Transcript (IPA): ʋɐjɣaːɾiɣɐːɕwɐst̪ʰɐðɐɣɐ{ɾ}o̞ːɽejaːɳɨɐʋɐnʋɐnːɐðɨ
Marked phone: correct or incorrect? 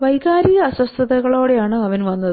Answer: incorrect